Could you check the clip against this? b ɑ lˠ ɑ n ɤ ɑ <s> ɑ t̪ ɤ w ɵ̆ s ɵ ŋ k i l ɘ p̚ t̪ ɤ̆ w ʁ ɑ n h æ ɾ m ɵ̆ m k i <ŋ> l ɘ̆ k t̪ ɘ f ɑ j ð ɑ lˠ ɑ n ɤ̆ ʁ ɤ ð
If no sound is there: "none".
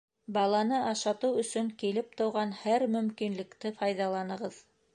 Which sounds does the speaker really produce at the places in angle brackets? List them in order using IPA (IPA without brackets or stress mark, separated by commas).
ʃ, n